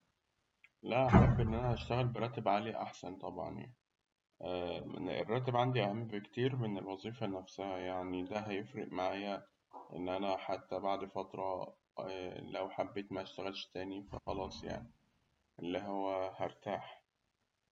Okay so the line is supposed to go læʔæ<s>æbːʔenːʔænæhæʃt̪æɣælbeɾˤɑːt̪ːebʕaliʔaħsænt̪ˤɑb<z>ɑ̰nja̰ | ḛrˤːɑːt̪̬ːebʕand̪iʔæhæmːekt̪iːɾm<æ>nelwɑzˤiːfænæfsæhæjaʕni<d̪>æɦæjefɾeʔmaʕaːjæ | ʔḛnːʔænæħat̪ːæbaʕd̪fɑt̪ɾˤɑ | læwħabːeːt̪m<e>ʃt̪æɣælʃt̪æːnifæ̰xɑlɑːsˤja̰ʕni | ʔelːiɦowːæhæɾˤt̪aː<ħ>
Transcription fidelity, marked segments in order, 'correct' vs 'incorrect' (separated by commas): incorrect, incorrect, incorrect, correct, incorrect, correct